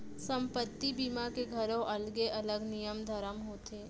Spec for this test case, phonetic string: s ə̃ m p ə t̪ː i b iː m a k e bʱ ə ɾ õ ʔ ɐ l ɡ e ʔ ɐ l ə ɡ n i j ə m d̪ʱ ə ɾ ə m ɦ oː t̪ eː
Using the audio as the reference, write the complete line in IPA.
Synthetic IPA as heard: s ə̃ m p ə t̪ː i b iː m a k e ɡʱ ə ɾ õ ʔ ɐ l ɡ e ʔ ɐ l ə ɡ n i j ə m d̪ʱ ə ɾ ə m ɦ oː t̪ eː